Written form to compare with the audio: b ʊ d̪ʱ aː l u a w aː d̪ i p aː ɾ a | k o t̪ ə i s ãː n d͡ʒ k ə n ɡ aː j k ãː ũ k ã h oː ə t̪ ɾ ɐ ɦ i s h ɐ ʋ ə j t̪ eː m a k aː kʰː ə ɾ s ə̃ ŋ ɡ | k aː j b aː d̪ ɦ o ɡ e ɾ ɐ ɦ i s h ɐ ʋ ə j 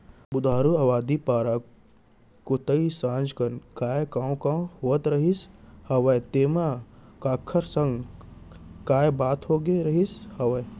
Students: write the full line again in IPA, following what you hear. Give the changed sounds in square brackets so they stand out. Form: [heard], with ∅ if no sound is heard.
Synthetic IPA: b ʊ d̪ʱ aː [ɾ] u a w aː d̪ i p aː ɾ a | k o t̪ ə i s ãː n d͡ʒ k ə n [k] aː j k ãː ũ k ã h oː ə t̪ ɾ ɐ ɦ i s h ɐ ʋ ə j t̪ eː m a k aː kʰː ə ɾ s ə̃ ŋ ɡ | k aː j b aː [t̪] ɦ o ɡ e ɾ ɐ ɦ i s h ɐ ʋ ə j